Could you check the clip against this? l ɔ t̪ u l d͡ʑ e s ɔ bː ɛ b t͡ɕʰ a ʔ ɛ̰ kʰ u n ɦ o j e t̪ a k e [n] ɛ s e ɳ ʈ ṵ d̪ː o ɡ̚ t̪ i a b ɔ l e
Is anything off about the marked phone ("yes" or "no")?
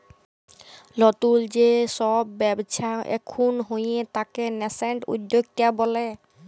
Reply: no